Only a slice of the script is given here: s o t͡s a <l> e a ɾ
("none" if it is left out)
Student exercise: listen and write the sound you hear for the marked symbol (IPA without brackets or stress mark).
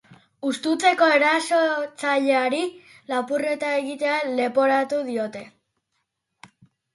ʎ